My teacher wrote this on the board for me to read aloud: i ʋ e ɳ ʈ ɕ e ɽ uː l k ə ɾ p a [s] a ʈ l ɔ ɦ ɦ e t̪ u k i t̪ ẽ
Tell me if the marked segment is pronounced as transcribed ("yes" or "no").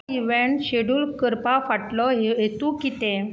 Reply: no